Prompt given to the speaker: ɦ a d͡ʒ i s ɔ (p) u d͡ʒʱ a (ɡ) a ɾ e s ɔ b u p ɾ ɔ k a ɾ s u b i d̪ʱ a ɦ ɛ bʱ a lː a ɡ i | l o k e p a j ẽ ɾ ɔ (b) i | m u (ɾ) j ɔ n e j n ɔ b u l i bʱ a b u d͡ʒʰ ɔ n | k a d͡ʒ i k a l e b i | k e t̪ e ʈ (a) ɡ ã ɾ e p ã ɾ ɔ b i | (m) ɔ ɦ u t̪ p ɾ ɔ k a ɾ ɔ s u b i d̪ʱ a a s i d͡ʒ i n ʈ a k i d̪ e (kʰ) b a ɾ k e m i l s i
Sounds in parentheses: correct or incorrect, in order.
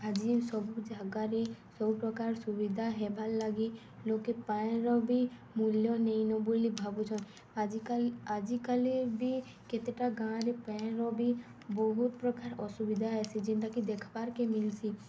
incorrect, correct, correct, incorrect, correct, incorrect, correct

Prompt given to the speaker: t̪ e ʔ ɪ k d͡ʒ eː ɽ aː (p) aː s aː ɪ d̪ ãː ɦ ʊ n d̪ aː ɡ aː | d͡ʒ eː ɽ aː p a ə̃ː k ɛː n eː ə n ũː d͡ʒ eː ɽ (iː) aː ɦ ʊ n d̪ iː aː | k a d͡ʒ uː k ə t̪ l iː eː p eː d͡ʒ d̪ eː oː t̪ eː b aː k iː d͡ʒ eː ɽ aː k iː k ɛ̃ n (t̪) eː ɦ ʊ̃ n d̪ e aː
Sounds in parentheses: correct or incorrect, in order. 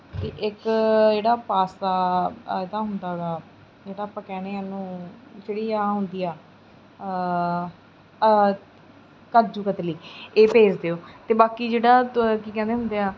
correct, correct, incorrect

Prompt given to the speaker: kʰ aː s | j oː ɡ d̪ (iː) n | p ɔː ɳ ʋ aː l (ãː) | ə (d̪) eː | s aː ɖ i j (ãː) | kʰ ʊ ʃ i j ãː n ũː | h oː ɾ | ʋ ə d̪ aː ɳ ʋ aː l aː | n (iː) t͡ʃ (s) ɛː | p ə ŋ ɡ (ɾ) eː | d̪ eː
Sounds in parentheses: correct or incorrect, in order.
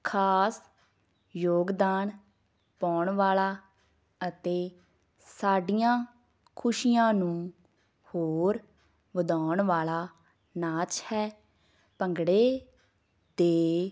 incorrect, incorrect, incorrect, correct, incorrect, incorrect, incorrect

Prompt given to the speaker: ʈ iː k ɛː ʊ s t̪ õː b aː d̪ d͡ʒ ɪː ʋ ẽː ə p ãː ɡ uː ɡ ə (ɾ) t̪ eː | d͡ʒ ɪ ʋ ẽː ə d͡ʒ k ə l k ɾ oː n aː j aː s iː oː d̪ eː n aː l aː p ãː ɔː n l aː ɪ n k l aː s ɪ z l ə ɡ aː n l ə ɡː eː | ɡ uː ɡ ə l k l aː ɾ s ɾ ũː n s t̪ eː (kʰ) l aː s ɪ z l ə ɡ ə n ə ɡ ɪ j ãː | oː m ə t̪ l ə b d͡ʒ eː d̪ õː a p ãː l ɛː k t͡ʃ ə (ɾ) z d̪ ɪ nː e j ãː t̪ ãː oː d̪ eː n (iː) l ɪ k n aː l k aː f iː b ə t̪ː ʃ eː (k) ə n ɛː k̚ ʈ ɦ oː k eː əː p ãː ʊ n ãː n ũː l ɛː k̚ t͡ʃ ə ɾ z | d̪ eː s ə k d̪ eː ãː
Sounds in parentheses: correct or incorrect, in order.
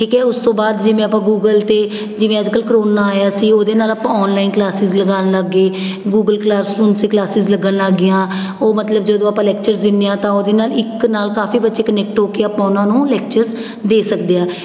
incorrect, incorrect, correct, incorrect, correct

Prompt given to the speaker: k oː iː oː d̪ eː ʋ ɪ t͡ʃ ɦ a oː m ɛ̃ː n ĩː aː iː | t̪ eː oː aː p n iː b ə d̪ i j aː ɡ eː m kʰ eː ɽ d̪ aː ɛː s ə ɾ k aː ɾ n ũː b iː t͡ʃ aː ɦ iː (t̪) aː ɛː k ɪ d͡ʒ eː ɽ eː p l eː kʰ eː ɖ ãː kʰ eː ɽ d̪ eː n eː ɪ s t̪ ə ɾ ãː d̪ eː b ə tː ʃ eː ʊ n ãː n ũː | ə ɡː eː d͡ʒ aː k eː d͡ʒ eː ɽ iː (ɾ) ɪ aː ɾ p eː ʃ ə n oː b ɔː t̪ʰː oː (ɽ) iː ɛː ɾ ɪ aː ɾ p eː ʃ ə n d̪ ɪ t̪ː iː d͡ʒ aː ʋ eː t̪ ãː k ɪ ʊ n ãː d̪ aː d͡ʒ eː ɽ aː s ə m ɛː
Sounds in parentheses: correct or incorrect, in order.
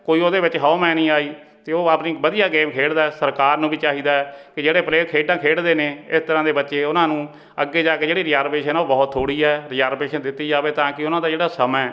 incorrect, correct, correct

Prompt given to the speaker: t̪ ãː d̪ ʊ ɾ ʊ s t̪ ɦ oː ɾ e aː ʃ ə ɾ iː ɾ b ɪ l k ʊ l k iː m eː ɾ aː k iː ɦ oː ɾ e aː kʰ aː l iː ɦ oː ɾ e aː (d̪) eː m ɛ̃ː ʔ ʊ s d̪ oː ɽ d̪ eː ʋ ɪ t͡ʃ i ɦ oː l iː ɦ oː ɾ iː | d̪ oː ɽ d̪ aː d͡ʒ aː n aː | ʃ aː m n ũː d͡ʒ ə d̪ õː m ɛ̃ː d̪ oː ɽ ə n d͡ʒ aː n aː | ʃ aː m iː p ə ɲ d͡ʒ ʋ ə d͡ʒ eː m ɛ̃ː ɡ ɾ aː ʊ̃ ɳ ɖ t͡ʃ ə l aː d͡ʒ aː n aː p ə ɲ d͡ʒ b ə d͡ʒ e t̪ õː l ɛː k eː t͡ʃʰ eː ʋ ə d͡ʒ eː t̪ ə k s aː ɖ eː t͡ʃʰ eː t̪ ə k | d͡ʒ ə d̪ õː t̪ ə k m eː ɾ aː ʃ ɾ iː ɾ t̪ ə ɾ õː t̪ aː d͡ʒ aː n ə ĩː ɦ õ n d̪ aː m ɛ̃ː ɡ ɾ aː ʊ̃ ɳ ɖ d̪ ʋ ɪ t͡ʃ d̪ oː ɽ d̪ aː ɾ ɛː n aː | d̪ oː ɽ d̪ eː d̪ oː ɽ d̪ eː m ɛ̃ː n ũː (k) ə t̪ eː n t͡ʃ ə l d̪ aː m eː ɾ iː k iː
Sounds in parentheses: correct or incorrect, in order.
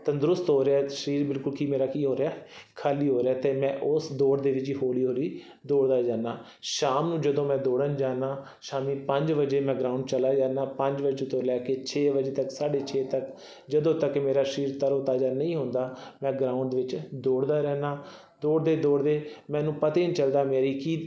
incorrect, incorrect

